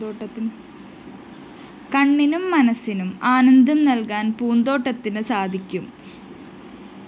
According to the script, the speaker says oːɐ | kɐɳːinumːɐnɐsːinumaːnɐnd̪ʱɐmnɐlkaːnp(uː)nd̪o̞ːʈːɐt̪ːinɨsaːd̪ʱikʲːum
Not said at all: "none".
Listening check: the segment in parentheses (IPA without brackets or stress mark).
uː